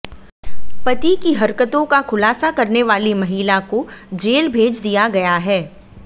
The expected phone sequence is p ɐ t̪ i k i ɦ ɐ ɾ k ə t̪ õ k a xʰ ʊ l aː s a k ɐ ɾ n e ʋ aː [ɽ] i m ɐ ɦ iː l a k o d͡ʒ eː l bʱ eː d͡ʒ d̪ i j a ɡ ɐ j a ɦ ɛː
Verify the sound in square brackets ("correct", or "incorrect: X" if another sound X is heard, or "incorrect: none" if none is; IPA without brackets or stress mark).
incorrect: l